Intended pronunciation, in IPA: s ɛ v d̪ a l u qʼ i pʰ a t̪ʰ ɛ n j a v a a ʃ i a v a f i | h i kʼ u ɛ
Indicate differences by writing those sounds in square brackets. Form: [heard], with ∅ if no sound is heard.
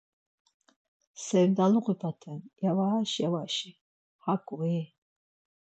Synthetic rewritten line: s ɛ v d̪ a l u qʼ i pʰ a t̪ʰ ɛ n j a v a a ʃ [j] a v a [ʃ] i | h [a] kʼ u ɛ